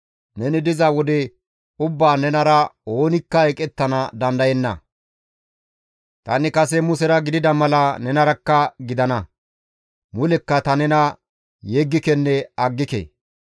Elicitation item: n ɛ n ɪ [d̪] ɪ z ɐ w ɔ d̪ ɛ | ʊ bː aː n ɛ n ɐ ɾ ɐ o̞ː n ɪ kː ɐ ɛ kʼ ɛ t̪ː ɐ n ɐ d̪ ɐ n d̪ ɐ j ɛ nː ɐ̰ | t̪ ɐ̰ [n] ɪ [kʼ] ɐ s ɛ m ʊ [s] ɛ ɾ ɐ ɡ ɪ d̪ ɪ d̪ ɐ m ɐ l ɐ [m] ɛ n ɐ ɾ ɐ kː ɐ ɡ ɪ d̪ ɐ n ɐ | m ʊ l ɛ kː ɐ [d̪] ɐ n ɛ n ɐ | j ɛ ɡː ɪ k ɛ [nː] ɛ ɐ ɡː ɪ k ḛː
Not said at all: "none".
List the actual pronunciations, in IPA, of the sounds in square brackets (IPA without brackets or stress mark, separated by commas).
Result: d̪, n, k, s, n, t̪, nː